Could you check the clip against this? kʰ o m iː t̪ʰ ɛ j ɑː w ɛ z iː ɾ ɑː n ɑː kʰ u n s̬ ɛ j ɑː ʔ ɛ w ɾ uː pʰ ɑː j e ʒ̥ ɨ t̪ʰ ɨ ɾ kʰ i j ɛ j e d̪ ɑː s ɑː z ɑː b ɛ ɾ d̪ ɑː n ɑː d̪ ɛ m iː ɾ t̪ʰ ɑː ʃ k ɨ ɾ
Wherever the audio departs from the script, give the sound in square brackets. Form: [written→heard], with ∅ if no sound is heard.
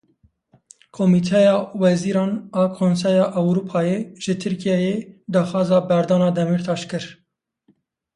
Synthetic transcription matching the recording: kʰ o m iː t̪ʰ ɛ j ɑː w ɛ z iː ɾ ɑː n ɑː kʰ [u→o] n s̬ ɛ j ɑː ʔ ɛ w ɾ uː pʰ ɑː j e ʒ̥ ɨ t̪ʰ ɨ ɾ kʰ i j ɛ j e d̪ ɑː [s→x] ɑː z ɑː b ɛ ɾ d̪ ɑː n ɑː d̪ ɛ m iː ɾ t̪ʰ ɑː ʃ k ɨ ɾ